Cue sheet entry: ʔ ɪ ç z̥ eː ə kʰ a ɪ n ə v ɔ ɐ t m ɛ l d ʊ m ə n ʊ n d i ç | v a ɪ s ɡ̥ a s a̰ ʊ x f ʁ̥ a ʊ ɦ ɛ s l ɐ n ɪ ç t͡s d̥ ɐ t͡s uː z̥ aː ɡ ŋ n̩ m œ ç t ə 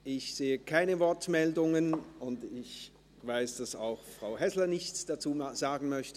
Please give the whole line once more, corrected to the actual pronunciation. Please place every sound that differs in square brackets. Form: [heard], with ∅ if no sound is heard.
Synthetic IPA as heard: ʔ ɪ ç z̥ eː ə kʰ a ɪ n ə v ɔ ɐ t m ɛ l d ʊ [ŋ] ə n ʊ n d [ɪ] ç | v a ɪ s [d̥] a s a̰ ʊ x f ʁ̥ a ʊ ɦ ɛ s l ɐ n ɪ ç t͡s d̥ [a] t͡s uː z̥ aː ɡ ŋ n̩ m œ ç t ə